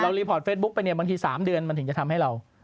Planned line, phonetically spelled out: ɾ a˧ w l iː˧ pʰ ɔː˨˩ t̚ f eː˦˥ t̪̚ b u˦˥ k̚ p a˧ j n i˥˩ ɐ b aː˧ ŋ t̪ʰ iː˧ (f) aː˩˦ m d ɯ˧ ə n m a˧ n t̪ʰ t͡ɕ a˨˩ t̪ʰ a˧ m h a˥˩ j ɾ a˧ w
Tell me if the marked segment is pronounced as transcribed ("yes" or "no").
no